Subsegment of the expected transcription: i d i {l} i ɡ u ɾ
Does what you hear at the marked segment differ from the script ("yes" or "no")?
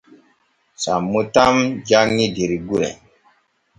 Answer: yes